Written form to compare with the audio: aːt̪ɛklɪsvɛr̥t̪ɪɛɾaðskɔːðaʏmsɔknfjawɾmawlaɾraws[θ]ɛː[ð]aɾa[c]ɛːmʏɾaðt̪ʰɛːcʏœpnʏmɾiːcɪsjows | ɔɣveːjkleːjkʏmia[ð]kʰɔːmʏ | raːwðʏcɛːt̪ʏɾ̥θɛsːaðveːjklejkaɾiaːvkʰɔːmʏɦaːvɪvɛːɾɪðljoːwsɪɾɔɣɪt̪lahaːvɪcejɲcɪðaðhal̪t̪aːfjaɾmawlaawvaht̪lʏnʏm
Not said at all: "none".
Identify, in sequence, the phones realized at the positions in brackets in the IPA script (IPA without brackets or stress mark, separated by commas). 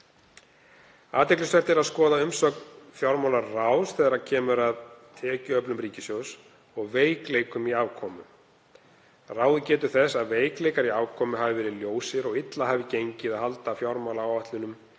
θ, ð, cʰ, v